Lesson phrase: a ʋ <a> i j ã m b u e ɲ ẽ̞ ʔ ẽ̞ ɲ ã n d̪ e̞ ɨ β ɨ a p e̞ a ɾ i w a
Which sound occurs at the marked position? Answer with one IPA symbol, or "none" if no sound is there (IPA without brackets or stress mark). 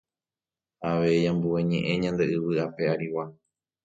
e